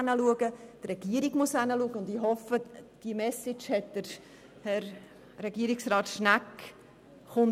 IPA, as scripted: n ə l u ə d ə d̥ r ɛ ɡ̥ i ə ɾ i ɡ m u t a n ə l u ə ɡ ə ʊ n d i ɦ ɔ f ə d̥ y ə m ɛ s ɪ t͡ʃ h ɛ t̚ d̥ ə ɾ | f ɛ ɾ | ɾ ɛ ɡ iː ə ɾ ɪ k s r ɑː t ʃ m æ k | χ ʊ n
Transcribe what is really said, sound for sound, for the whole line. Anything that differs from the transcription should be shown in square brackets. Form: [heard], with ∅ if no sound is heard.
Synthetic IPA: n ə l u ə [ɡ] ə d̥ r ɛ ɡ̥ i ə ɾ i ɡ m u [s] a n ə l u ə ɡ ə ʊ n d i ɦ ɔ f ə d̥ [i] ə m ɛ s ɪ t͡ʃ h ɛ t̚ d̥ ə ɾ | [h] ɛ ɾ | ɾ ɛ ɡ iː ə ɾ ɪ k s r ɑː t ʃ [n] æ k | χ ʊ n